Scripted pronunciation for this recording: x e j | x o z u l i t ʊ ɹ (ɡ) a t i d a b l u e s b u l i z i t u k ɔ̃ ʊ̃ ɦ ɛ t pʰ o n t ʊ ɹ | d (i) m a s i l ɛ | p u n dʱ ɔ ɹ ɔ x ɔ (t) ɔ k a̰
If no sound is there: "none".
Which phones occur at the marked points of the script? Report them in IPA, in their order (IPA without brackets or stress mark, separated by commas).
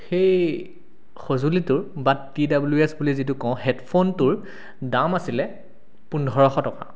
b, a, t